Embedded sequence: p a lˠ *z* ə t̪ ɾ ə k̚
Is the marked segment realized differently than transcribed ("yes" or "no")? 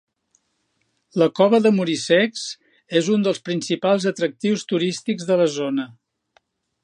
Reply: no